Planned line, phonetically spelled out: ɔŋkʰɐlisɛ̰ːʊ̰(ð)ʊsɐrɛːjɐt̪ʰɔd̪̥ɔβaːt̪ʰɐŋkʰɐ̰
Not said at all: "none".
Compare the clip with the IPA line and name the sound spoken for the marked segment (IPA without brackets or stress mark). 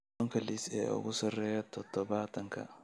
ɣ